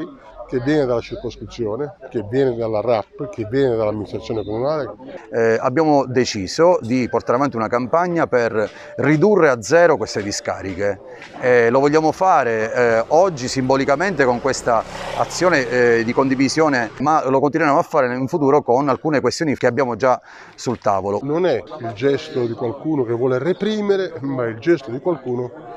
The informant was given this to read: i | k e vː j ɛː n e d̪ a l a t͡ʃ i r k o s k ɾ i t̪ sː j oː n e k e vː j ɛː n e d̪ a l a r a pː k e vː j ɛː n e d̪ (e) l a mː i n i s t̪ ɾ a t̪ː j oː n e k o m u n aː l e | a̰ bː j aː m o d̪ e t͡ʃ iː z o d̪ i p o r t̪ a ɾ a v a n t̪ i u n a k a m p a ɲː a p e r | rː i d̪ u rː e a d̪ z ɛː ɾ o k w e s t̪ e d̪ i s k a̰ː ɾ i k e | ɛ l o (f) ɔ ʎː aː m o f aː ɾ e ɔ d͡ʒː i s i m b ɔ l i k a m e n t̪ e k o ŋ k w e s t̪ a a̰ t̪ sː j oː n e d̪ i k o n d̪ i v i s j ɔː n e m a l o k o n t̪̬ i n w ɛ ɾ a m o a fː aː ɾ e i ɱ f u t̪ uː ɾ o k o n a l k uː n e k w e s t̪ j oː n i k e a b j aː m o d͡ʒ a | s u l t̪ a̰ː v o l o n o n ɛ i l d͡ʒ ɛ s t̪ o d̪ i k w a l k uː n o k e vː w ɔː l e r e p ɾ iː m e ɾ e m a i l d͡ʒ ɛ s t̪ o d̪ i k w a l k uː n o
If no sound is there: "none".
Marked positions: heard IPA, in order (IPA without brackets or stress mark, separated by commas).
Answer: a, v